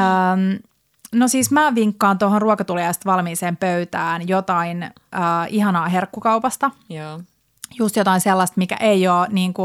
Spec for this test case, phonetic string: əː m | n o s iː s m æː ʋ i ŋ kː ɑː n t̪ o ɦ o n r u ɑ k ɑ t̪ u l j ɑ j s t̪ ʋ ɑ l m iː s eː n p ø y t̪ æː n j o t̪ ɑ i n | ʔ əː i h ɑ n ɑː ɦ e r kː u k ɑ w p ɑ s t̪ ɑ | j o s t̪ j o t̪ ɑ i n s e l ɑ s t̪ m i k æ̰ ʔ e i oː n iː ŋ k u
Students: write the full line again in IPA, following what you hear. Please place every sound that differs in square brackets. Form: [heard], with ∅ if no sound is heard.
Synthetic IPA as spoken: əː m | n o s iː s m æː ʋ i ŋ kː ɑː n t̪ o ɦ o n r u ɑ k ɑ t̪ u l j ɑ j s t̪ ʋ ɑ l m iː s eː [m] p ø y t̪ æː n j o t̪ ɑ i n | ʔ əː i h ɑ n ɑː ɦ e r kː u k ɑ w p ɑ s t̪ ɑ | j [u] s t̪ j o t̪ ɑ i n s e [lː] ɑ s t̪ m i k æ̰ ʔ e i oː n iː ŋ k u